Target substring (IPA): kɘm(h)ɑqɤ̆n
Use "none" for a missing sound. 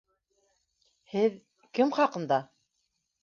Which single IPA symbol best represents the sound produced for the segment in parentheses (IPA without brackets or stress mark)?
χ